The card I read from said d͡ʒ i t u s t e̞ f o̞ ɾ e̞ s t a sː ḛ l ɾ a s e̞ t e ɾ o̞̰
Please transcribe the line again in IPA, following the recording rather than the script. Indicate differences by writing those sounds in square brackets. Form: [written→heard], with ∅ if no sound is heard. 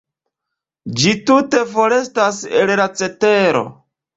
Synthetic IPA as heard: d͡ʒ i t u [s→∅] t e̞ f o̞ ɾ e̞ s t a [sː→s] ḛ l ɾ a [s→t͡s] e̞ t e ɾ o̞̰